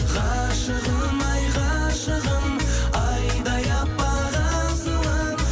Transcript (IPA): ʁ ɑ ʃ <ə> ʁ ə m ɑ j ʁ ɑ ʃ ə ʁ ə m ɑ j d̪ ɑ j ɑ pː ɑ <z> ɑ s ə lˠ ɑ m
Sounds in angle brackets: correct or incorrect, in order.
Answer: correct, incorrect

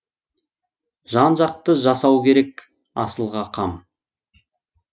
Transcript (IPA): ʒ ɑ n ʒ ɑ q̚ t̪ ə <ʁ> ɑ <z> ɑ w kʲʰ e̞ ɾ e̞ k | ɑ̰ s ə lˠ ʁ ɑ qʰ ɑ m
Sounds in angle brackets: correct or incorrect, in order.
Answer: incorrect, incorrect

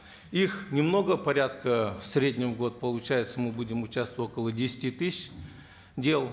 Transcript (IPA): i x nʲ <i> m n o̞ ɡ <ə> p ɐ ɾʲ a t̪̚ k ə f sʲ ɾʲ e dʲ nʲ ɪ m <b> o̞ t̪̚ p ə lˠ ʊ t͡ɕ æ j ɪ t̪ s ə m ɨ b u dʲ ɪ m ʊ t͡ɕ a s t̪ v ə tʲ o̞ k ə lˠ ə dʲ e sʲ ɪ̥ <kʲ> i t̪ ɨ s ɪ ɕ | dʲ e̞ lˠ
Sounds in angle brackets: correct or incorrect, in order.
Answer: incorrect, correct, incorrect, incorrect

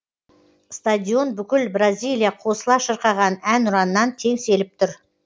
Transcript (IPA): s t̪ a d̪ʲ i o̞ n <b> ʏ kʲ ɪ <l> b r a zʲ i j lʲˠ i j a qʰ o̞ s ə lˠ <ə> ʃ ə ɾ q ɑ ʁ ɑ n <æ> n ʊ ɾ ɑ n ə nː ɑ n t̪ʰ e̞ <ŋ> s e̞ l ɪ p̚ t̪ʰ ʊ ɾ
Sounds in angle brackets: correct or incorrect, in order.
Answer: correct, correct, incorrect, correct, correct

